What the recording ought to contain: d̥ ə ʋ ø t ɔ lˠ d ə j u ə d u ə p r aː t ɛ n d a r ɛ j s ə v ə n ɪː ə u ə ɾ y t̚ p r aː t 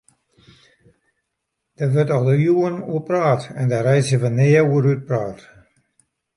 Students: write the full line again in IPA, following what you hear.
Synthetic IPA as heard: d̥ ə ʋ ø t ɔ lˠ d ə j u ə n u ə p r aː t ɛ n d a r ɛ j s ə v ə n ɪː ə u ə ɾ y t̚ p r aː t